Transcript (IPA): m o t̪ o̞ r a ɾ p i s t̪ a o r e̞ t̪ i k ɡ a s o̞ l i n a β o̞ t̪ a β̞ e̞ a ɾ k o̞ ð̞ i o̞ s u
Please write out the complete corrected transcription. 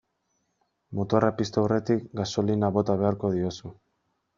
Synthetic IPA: m o t̪ o̞ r a p i s t̪ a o r e̞ t̪ i k ɡ a s o̞ l i n a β o̞ t̪ a β̞ e̞ a ɾ k o̞ ð̞ i o̞ s u